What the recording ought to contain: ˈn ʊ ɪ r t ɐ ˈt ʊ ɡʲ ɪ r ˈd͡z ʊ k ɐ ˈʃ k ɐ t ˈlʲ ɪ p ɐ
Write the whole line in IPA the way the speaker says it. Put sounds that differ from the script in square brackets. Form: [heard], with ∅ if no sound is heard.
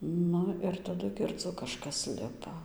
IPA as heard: ˈn ʊ ɪ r t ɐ [ˈd] ʊ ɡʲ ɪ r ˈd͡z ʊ k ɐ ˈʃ k ɐ [s] ˈlʲ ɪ p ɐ